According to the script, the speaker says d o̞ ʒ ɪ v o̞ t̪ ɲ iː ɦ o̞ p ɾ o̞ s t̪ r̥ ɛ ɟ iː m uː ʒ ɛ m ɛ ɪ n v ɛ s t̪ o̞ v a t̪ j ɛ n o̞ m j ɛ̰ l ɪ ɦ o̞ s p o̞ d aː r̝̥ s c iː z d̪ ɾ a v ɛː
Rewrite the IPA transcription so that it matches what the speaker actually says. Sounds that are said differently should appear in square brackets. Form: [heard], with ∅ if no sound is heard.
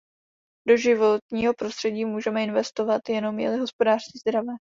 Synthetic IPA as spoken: d o̞ ʒ ɪ v o̞ t̪ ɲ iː ɦ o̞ p ɾ o̞ s t̪ r̥ ɛ ɟ iː m uː ʒ ɛ m ɛ ɪ n v ɛ s t̪ o̞ v a t̪ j ɛ n o̞ m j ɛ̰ l ɪ ɦ o̞ s p o̞ d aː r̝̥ s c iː z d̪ ɾ a v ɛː